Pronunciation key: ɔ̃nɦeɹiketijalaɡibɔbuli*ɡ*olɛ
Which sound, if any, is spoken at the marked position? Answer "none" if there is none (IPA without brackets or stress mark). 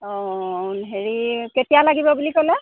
k